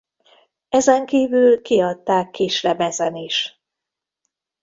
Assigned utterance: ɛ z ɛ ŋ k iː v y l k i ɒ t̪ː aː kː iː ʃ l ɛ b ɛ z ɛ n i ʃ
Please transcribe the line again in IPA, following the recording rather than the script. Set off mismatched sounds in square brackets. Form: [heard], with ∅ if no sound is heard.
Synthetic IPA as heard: ɛ z ɛ ŋ k iː v y l k i ɒ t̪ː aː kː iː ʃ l ɛ b ɛ z ɛ n i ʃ